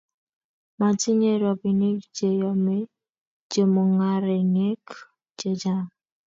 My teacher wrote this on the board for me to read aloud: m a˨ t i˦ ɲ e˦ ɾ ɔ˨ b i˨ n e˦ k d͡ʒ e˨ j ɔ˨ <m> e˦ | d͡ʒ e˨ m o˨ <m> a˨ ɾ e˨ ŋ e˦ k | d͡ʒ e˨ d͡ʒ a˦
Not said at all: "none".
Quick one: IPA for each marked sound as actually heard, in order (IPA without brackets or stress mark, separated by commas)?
m, ŋ